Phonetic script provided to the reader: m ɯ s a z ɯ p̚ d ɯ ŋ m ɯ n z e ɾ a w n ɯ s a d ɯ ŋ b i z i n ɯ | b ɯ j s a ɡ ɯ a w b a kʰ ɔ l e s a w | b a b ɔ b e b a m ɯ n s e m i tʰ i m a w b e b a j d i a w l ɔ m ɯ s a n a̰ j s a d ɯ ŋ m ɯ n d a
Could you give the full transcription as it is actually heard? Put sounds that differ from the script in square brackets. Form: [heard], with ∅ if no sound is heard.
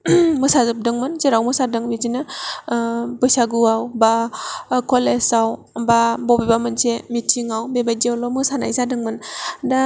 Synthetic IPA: m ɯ s a z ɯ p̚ d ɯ ŋ m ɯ n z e ɾ a w [m] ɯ s a d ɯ ŋ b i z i n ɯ | b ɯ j s a ɡ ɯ a w b a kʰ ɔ l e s a w | b a b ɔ b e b a m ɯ n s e m i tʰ i [ŋ] a w b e b a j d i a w l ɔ m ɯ s a n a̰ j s a d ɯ ŋ m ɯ n d a